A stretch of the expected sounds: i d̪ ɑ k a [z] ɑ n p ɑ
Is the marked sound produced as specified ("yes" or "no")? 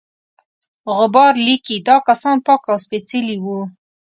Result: no